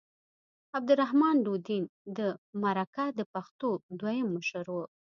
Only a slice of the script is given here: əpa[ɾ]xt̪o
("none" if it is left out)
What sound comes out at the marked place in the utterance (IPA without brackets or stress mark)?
none